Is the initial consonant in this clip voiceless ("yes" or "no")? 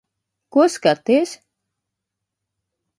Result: yes